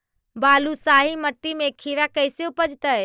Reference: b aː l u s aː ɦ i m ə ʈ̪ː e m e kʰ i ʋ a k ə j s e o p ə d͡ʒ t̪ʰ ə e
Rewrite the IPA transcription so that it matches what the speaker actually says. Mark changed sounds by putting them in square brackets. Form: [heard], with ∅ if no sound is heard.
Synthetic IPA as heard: b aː l u s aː ɦ i m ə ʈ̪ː [i] m e kʰ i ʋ a k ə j s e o p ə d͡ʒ [t̪] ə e

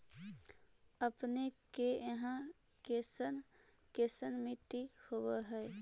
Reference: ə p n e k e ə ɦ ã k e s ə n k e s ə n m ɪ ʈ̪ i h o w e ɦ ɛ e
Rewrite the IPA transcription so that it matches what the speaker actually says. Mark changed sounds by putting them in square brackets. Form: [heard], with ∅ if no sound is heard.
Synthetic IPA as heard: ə p n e k e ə ɦ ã k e s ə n k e s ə n m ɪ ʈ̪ i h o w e ɦ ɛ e

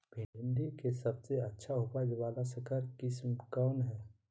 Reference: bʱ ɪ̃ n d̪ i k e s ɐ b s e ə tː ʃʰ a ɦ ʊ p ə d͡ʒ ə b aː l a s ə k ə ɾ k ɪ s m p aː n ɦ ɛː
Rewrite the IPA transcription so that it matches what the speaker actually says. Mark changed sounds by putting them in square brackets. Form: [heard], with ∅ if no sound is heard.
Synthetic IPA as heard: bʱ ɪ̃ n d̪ i k e s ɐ b s e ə tː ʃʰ a ɦ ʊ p [a] d͡ʒ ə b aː l a s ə k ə ɾ k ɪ s m [k] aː n ɦ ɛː

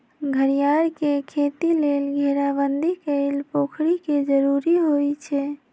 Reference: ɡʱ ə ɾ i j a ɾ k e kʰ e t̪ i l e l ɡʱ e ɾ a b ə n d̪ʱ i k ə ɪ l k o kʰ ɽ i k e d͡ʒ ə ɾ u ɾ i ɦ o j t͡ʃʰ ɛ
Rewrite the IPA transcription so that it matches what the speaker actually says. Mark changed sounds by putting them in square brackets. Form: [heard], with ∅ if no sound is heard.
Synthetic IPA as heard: ɡʱ ə ɾ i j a ɾ k e kʰ e t̪ i l e l ɡʱ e ɾ a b ə n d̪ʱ i k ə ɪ l [p] o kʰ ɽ i k e d͡ʒ ə ɾ u ɾ i ɦ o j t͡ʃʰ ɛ

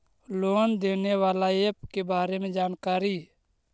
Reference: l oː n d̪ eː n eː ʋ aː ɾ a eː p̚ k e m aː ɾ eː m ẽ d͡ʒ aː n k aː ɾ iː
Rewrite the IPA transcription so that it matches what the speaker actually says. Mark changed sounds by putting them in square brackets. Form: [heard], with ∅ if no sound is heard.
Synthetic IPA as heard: l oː n d̪ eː n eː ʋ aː [l] a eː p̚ k e [b] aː ɾ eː m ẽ d͡ʒ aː n k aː ɾ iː

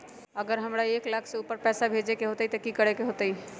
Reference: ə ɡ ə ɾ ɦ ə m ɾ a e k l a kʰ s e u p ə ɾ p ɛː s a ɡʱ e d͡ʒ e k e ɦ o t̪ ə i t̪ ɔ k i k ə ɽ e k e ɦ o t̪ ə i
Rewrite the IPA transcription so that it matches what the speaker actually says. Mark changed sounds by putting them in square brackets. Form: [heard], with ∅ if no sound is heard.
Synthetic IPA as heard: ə ɡ ə ɾ ɦ ə m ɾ a e k l a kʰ s e u p ə ɾ p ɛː s a [bʱ] e d͡ʒ e k e ɦ o t̪ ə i t̪ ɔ k i k ə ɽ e k e ɦ o t̪ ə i

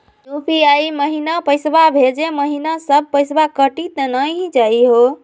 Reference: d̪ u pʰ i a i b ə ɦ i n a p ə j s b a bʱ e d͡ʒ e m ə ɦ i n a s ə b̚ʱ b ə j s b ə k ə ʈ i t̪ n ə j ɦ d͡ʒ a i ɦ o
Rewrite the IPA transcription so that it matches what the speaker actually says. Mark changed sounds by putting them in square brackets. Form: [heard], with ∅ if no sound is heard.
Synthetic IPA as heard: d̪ u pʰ i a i [m] ə ɦ i n a p ə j s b a bʱ e d͡ʒ e m ə ɦ i n a s ə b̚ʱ [p] ə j s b [a] k ə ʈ i t̪ n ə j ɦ d͡ʒ a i ɦ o

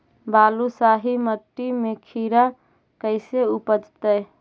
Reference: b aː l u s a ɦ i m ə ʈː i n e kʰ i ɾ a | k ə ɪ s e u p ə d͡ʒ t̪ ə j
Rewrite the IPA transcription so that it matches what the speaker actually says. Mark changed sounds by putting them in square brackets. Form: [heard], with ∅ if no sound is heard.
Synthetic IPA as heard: b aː l u s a ɦ i m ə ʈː i [m] e kʰ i ɾ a | k ə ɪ s e u p ə d͡ʒ t̪ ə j

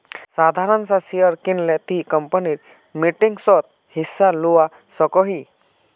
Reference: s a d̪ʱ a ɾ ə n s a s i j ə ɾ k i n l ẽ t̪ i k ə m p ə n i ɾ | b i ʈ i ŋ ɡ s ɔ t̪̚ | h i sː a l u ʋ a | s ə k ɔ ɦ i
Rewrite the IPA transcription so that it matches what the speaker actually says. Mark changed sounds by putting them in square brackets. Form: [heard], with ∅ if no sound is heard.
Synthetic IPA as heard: s a d̪ʱ a ɾ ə n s a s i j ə ɾ k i n l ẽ t̪ i k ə m p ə n i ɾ | [m] i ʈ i ŋ ɡ s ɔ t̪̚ | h i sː a l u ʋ a | s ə k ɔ ɦ i

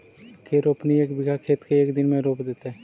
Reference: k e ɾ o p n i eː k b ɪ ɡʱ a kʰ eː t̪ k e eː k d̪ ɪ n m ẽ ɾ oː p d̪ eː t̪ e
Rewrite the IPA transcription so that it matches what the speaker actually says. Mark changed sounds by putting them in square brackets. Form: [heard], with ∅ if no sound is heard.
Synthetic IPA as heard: k e ɾ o p n i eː k b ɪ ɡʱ a kʰ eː t̪ k e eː k d̪ ɪ n m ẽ ɾ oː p d̪ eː t̪ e

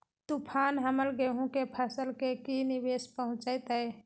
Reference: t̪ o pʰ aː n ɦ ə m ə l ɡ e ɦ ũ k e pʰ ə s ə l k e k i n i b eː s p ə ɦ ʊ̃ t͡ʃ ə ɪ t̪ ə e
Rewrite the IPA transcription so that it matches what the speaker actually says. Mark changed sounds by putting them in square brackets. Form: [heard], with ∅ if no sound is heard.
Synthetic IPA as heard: t̪ [u] pʰ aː n ɦ ə m ə l ɡ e ɦ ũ k e pʰ ə s ə l k e k i n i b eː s p ə ɦ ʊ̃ t͡ʃ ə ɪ t̪ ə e

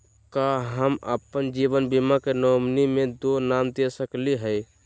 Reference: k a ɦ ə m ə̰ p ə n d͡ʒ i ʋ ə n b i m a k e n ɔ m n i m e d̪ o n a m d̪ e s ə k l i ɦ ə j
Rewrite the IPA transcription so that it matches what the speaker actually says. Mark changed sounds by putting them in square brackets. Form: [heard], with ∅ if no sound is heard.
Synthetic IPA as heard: k a ɦ ə m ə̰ p ə n d͡ʒ i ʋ ə n b i m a k e n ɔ m n i m e d̪ o n a m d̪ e s ə k l i ɦ ə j

